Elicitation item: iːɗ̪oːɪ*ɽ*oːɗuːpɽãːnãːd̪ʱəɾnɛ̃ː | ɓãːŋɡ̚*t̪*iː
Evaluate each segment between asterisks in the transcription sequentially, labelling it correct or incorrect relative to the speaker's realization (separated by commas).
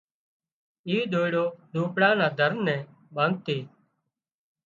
correct, correct